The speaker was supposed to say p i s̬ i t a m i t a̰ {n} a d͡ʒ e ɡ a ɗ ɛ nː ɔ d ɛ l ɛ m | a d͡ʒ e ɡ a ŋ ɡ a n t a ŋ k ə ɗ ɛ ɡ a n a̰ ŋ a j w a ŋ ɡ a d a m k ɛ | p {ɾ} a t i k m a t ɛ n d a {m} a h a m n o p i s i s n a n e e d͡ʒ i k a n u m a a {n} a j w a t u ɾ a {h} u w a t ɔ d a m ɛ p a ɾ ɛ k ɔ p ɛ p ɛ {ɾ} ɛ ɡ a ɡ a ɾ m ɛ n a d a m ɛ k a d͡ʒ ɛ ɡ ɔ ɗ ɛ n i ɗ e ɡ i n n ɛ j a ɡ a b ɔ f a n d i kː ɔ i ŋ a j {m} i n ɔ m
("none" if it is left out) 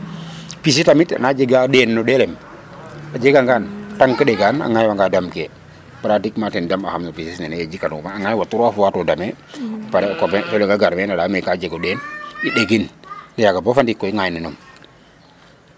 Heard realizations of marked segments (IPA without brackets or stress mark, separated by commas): n, ɾ, m, ŋ, f, l, n